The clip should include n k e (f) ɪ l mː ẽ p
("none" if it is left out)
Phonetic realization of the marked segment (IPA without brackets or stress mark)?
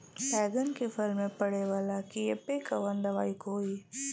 f